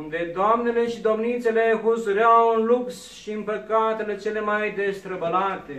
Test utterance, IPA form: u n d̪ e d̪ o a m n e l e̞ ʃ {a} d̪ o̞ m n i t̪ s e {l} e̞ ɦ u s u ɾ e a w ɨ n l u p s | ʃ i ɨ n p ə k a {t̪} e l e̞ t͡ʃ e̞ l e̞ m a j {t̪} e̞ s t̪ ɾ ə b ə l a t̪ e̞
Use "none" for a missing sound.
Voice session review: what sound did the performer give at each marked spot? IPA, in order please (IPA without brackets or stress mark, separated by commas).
i, l, t̪, d̪